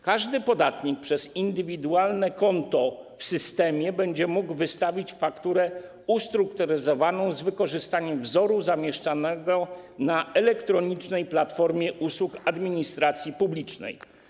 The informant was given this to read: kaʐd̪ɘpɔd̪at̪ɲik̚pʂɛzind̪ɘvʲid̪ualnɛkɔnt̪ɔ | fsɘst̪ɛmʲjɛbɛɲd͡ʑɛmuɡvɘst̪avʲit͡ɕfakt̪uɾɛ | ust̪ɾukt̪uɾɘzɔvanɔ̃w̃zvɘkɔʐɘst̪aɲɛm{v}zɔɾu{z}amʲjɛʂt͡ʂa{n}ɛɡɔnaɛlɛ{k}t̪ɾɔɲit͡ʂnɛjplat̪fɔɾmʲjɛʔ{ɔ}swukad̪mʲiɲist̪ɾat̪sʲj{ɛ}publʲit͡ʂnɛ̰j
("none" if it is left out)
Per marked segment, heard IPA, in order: v, z, n, k, u, i

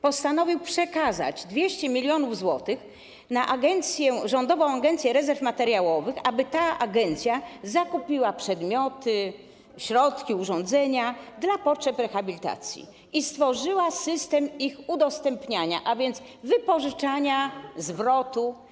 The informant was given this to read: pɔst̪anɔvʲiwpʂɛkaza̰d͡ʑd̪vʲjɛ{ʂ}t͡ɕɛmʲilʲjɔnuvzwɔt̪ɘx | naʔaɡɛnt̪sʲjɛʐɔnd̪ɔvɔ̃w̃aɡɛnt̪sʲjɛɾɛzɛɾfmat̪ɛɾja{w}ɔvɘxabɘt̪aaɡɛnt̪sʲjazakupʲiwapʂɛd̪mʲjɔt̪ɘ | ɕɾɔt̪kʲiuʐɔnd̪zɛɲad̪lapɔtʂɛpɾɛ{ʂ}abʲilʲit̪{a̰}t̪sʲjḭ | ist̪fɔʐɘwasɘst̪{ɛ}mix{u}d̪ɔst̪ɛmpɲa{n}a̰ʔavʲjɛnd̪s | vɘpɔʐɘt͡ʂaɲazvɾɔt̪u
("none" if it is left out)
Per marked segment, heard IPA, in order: ɕ, w, x, a̰, ɛ, u, ɲ

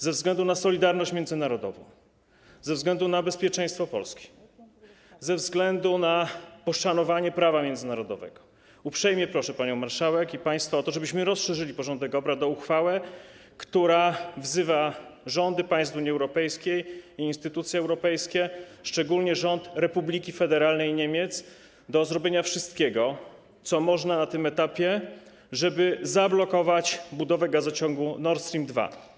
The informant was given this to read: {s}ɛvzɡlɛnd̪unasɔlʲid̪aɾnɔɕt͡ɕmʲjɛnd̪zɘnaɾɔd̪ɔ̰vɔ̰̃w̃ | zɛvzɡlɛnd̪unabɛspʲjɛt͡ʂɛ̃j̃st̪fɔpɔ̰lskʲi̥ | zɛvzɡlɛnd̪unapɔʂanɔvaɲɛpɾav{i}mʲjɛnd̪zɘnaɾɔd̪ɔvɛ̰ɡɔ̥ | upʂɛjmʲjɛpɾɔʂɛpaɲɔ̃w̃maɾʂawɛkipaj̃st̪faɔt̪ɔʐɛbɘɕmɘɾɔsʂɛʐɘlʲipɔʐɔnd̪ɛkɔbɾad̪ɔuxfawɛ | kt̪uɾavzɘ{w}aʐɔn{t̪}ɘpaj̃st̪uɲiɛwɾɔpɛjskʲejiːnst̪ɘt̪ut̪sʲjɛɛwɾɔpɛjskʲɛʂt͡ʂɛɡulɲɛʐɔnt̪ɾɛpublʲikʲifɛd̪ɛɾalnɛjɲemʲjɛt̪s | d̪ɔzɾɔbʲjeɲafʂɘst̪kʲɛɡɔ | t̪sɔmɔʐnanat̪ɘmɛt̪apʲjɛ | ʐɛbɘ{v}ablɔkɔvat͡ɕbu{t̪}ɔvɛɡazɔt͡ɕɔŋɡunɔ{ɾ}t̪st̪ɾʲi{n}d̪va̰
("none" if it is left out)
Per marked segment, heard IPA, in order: z, a, v, d̪, z, d̪, ɾ, m

